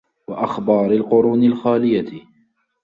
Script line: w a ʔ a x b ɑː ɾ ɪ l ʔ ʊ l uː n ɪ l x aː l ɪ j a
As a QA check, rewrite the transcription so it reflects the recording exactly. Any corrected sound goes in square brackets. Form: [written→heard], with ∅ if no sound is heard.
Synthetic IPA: w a ʔ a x b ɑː ɾ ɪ l [ʔ→q] ʊ [l→ɾ] uː n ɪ l x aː l ɪ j a